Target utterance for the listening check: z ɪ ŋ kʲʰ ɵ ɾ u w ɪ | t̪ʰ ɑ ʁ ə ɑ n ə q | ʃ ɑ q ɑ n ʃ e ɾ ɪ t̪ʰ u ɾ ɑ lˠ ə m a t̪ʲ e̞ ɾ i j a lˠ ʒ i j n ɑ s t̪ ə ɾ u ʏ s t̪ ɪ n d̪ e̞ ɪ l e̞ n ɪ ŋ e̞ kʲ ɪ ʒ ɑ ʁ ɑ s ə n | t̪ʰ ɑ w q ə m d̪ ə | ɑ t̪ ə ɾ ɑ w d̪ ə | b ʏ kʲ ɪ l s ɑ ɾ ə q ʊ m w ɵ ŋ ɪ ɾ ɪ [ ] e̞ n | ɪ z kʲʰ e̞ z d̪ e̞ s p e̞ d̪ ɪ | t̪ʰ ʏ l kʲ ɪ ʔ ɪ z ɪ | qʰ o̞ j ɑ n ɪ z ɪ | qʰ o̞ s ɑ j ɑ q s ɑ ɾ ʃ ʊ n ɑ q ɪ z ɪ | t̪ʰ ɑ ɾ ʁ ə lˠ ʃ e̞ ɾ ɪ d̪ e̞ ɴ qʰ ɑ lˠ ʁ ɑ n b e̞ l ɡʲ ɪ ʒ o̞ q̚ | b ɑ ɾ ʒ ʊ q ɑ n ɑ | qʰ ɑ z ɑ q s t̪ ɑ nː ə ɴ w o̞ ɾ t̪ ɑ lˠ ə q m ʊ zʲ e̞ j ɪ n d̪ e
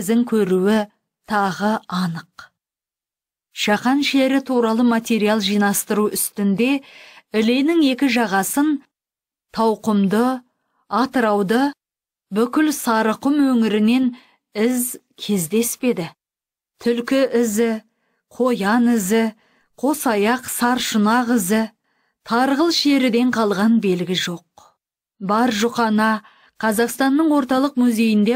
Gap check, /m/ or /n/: n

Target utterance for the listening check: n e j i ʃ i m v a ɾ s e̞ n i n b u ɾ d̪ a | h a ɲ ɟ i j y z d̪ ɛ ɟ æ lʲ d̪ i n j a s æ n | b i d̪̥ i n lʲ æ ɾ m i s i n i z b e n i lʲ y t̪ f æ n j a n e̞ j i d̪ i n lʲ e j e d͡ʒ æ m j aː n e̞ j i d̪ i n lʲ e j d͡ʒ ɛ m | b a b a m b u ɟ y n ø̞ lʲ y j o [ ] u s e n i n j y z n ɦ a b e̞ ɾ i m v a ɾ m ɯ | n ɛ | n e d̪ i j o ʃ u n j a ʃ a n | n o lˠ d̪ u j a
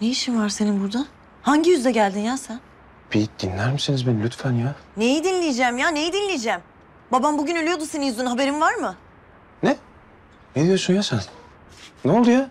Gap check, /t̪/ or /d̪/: d̪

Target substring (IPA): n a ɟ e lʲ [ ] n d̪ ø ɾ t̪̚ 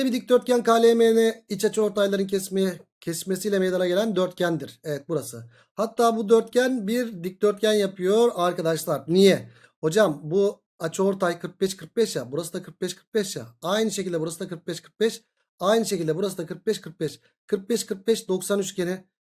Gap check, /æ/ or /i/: æ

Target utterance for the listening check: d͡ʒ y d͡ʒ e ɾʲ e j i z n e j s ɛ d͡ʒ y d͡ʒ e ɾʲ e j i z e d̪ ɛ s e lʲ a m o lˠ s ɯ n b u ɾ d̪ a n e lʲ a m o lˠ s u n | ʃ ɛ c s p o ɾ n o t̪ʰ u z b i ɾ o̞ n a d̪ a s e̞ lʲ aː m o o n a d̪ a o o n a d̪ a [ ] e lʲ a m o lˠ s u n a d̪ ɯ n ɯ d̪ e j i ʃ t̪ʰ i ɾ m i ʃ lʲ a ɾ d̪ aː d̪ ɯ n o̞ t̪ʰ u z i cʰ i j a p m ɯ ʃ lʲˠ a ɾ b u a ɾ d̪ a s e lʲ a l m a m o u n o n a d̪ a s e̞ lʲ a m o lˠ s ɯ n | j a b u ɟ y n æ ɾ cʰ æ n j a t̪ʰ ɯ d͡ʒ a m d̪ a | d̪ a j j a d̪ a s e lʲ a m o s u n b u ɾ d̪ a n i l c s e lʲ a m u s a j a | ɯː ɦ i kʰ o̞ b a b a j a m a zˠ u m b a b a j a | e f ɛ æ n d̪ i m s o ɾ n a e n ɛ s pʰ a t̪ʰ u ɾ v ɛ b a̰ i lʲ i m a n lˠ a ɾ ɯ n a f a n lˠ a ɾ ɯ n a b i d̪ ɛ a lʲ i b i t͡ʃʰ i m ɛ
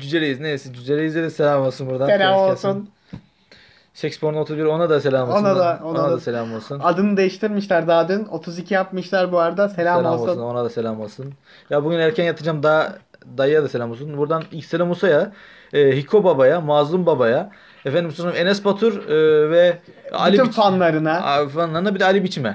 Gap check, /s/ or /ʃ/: s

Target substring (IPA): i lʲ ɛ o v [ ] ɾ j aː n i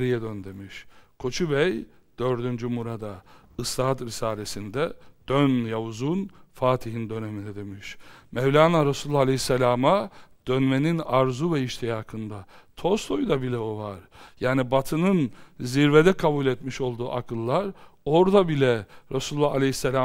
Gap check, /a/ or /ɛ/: a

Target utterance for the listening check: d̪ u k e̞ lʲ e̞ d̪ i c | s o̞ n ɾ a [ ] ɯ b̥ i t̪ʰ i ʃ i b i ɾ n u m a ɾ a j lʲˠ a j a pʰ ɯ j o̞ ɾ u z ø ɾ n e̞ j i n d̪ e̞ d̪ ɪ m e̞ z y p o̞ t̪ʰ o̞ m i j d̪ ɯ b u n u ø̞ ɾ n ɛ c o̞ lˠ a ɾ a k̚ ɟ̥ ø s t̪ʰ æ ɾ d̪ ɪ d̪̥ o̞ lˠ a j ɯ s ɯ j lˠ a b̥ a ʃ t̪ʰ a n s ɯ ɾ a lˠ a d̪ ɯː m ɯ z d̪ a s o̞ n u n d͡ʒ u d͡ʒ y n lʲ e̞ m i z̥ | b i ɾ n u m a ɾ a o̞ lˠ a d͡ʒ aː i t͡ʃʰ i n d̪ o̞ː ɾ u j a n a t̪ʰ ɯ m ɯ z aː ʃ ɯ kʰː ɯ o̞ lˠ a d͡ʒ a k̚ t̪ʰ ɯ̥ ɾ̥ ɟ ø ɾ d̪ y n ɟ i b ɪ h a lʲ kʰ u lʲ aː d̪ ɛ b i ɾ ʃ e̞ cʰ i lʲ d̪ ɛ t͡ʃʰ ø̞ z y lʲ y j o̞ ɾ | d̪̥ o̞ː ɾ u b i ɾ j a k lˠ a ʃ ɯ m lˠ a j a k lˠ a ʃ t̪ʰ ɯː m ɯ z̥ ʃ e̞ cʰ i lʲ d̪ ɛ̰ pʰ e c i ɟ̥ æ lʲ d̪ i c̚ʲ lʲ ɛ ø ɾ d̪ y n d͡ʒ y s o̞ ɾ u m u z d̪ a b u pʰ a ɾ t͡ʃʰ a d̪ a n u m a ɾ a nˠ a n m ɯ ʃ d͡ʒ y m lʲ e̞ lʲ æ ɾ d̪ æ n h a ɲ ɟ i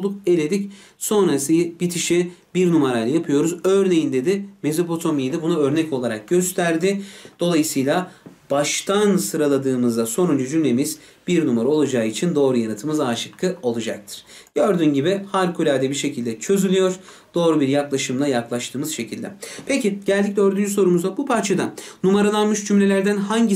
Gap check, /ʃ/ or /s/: s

